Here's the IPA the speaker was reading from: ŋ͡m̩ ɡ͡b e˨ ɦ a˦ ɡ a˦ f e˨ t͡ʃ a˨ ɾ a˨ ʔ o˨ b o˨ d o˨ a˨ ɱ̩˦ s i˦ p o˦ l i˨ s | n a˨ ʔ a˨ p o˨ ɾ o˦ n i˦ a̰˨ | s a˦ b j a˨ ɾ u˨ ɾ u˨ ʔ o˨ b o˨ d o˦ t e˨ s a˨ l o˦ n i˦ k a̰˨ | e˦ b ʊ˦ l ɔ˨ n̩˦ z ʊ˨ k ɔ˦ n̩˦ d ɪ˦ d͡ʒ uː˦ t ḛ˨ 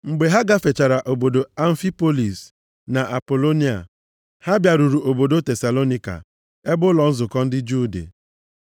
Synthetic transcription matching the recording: ŋ͡m̩ ɡ͡b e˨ ɦ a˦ ɡ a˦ f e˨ t͡ʃ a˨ ɾ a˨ ʔ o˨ b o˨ d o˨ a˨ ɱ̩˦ f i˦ p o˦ l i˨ s | n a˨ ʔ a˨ p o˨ l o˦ n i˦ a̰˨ | h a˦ b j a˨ ɾ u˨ ɾ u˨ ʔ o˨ b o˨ d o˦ t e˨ s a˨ l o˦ n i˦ k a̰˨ | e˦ b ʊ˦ l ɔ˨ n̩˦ z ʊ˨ k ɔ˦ n̩˦ d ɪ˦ d͡ʒ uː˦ d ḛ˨